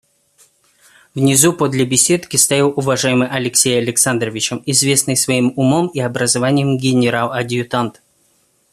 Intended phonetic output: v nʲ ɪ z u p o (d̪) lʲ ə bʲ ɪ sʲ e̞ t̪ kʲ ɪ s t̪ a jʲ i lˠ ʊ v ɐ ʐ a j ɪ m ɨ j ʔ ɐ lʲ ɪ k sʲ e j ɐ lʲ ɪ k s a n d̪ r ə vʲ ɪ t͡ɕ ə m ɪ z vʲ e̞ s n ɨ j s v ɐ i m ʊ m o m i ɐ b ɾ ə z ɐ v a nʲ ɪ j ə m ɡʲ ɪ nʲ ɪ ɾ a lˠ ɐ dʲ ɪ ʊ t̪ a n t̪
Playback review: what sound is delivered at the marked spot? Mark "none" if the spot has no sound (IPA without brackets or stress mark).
d̪